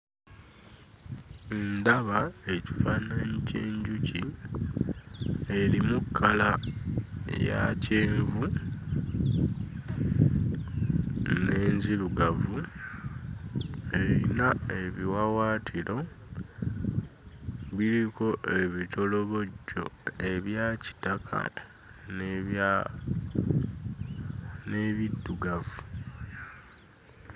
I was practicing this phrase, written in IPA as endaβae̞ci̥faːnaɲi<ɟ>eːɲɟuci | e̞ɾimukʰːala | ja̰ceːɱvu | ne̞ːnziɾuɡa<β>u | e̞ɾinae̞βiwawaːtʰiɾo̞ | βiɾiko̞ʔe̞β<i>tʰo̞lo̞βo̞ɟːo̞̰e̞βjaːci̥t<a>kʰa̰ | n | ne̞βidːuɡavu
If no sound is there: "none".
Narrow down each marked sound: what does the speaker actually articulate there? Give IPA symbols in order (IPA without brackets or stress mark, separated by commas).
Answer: c, v, i, a